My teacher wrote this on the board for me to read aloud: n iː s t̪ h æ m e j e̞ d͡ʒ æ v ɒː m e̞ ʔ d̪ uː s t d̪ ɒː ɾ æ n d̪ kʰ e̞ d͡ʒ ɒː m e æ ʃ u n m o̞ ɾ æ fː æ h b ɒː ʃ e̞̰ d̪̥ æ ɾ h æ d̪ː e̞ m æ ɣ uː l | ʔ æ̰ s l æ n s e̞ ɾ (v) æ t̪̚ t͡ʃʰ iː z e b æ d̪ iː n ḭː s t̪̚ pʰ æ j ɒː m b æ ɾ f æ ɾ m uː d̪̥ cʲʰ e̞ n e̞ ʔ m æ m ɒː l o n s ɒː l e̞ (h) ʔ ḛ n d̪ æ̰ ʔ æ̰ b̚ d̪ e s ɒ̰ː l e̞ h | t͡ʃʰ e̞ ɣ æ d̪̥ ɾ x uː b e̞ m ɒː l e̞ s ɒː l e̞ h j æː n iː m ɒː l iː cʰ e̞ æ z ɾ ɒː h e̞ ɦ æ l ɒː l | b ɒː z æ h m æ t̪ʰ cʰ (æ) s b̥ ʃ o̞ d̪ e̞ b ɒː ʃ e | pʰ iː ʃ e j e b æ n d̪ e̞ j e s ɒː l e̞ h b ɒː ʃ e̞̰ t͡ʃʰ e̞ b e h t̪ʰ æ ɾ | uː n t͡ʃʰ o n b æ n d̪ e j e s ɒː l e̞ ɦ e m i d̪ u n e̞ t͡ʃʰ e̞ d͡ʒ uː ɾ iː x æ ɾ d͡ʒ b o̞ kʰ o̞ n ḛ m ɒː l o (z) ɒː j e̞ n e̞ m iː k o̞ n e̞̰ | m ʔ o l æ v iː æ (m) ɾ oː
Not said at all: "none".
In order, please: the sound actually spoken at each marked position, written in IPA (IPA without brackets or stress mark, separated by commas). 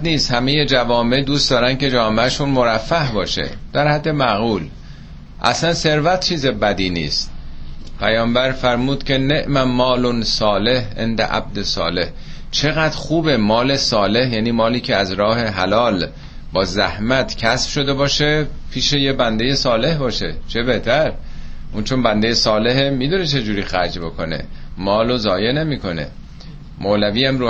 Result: v, h, æ, z, m